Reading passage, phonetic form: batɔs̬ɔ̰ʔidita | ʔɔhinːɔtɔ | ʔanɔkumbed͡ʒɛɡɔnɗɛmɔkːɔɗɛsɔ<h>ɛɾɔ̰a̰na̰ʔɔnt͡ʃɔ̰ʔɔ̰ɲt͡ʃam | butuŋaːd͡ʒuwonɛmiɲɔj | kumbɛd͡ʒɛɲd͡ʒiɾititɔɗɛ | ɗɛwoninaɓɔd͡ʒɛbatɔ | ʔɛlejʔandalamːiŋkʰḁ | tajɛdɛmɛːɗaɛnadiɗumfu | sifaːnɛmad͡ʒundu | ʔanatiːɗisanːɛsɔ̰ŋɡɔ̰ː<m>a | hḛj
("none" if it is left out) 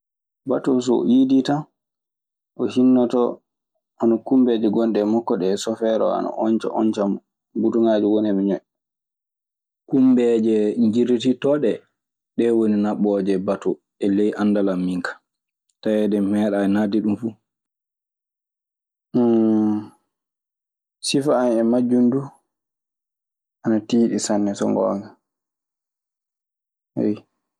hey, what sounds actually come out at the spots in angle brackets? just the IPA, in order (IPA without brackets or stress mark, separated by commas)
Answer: f, ŋ